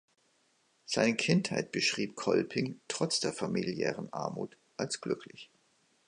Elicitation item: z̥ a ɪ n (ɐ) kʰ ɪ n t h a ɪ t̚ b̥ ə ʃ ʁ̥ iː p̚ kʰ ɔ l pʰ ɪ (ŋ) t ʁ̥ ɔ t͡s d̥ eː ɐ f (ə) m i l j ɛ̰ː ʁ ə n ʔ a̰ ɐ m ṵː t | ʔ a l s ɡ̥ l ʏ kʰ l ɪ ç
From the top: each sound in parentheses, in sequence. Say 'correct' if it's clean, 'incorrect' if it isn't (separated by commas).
incorrect, correct, incorrect